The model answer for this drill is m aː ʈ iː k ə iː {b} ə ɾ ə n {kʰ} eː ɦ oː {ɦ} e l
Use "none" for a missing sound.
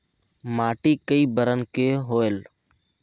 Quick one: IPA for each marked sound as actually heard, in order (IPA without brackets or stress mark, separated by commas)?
b, k, none